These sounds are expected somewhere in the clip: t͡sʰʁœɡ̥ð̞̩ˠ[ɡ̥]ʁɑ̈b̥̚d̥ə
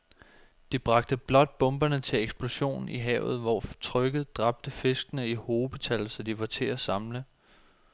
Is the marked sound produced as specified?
no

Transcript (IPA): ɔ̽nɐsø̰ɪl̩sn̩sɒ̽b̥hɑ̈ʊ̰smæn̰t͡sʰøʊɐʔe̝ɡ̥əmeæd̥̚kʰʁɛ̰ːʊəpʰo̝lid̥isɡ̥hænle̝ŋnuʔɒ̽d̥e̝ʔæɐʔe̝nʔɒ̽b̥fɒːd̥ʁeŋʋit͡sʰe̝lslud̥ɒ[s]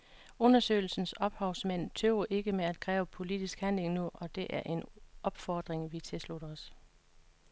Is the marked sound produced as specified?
yes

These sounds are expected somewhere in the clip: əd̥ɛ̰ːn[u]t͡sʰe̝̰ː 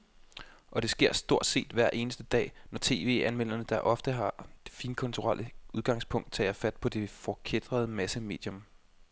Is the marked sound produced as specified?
no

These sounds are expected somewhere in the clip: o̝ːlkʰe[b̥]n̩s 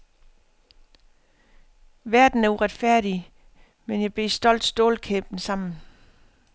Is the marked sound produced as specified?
yes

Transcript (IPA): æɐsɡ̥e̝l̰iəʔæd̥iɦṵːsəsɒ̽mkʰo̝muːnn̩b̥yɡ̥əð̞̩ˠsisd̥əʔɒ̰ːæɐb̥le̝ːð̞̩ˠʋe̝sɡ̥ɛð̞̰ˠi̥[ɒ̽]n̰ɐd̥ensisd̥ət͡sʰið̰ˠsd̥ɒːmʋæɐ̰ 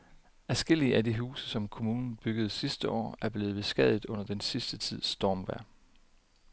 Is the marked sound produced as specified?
no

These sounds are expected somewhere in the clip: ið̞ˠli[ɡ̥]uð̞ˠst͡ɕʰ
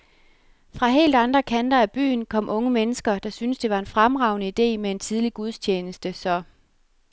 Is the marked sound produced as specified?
yes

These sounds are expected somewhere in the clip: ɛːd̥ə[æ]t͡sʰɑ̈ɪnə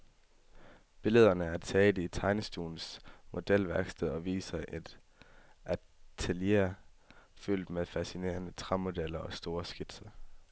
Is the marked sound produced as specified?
no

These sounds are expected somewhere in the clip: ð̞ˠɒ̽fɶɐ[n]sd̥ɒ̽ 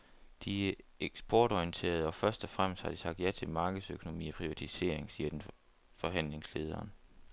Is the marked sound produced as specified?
no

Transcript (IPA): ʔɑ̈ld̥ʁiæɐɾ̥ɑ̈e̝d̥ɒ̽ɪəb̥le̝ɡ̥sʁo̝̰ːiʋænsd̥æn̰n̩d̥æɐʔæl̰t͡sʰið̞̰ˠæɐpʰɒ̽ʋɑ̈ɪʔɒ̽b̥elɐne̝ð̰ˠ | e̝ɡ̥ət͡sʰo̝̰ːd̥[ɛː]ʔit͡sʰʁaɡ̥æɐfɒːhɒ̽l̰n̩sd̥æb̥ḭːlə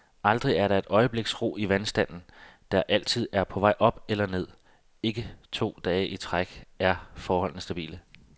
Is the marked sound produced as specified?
yes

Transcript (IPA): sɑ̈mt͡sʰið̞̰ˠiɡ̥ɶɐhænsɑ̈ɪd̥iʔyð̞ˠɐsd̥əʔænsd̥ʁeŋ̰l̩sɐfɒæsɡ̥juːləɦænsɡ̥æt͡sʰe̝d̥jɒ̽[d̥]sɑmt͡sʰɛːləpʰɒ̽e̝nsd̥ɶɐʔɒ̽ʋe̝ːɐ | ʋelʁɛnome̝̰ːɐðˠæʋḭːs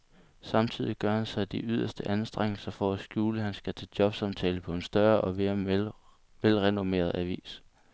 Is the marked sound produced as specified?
no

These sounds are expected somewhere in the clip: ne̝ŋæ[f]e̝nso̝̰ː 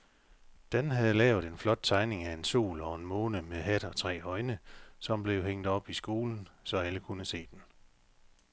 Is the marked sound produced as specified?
no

